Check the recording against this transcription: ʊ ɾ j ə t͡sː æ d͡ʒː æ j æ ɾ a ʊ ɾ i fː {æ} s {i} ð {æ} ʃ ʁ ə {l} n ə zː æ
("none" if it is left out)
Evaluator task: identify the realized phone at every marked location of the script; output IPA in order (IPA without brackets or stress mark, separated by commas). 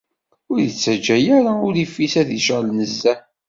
i, æ, i, l